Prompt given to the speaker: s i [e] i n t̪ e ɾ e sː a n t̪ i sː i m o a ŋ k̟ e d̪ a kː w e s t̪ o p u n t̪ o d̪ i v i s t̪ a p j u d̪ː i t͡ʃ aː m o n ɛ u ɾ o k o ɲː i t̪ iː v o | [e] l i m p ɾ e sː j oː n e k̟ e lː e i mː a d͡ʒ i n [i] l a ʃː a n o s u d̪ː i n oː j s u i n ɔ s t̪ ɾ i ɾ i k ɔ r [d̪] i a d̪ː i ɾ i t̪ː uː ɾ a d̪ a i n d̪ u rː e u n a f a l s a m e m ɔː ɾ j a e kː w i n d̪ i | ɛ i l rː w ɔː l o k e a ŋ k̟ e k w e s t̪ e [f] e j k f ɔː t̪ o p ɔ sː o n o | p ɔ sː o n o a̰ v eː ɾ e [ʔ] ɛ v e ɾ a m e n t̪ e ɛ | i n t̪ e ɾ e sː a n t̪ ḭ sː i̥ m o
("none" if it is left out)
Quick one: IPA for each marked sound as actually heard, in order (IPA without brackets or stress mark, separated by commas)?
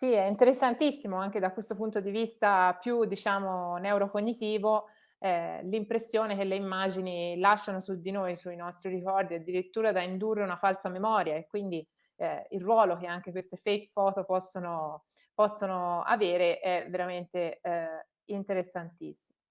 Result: ɛ, ɛ, i, d̪, f, ʔ